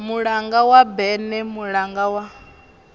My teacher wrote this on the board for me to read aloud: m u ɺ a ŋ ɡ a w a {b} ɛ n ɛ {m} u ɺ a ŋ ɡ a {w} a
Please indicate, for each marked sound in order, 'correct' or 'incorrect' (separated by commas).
correct, correct, correct